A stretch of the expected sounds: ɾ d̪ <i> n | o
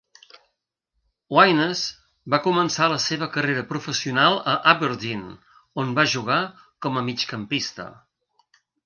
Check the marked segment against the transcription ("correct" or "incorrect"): correct